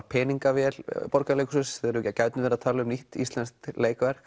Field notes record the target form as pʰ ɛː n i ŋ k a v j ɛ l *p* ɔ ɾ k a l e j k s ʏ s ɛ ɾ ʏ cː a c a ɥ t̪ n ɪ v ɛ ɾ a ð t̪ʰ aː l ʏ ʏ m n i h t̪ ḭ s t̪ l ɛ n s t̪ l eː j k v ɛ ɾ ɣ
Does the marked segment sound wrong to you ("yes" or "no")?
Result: no